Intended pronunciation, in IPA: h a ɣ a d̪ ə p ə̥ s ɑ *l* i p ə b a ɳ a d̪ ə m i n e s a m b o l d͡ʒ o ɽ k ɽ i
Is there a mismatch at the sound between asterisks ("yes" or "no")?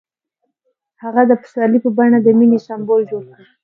no